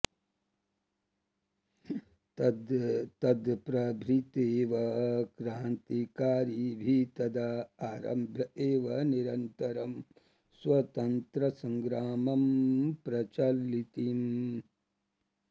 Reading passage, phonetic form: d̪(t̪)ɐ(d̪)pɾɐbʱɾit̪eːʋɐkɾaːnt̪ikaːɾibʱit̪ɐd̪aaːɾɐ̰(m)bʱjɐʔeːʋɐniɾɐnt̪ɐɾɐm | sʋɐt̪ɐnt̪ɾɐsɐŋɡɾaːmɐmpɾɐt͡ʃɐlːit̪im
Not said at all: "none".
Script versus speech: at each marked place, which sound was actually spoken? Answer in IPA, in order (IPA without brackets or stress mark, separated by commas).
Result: t̪, d̪, m